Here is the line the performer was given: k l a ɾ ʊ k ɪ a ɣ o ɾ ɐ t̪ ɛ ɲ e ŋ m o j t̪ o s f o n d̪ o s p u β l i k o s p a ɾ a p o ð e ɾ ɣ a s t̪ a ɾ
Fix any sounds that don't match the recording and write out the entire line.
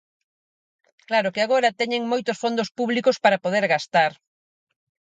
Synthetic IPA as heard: k l a ɾ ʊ k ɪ a ɣ o ɾ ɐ t̪ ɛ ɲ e ŋ m o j t̪ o s f o n d̪ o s p u β l i k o s p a ɾ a p o ð e ɾ ɣ a s t̪ a ɾ